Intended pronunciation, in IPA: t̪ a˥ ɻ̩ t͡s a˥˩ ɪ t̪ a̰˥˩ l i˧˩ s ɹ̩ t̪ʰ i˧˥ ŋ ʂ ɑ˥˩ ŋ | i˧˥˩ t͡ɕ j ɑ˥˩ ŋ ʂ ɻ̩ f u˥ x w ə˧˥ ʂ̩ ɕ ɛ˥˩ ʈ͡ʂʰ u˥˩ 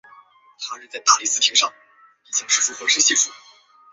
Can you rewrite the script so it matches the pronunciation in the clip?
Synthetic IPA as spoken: t̪ʰ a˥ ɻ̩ t͡s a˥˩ ɪ t̪ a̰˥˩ l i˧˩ s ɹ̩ t̪ʰ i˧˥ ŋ ʂ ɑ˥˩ ŋ | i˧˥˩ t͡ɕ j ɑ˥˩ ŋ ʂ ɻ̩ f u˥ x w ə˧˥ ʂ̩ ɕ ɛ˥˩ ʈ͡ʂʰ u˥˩